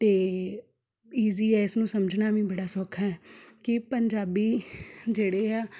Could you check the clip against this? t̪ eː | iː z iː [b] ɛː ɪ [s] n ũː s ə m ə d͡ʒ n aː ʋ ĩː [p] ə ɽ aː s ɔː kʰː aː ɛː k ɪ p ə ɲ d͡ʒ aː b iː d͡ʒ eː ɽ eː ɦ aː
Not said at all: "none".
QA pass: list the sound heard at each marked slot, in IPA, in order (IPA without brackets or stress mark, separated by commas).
none, s, b